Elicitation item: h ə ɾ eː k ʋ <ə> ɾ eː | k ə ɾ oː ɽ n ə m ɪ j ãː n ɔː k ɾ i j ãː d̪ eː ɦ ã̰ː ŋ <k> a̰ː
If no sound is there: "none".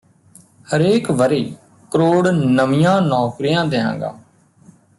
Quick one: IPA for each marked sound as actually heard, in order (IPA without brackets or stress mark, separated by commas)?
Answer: ə, ɡ